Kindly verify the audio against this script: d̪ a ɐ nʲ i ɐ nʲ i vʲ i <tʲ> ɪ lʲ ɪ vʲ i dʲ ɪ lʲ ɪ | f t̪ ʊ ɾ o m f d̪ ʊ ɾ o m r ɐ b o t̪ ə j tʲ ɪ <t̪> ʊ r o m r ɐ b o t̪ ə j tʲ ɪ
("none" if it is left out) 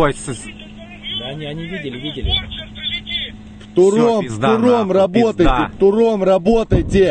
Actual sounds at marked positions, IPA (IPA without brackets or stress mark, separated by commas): dʲ, t̪